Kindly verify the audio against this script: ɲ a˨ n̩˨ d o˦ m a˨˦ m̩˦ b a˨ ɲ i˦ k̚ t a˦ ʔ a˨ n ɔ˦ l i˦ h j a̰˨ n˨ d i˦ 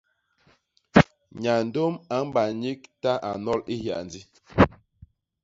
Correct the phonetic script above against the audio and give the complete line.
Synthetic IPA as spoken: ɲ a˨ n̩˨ d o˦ m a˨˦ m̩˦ b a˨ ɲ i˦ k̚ t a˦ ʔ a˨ n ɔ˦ l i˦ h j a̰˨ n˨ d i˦